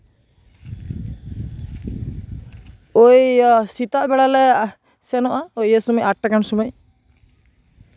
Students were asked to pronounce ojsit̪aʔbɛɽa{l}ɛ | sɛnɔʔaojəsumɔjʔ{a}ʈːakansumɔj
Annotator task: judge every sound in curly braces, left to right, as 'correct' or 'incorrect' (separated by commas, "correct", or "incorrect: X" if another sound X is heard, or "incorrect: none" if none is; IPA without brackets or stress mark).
correct, correct